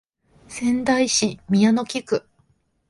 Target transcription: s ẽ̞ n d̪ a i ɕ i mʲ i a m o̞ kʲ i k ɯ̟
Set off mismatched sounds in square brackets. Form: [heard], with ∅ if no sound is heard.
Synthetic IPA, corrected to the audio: s ẽ̞ n d̪ a i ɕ i mʲ i a [n] o̞ kʲ i k ɯ̟